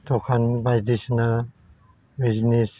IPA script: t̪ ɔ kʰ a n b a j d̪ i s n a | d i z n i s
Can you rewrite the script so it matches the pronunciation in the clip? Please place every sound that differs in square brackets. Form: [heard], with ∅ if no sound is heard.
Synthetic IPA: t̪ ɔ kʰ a n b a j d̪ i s n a | [b] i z n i s